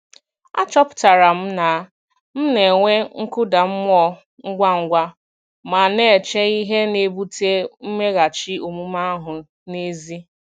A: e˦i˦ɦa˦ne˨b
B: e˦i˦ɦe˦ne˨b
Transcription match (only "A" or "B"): B